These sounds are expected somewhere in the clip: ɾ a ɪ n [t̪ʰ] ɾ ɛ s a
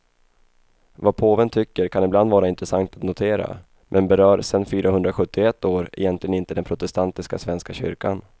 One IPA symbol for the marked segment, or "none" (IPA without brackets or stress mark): t̪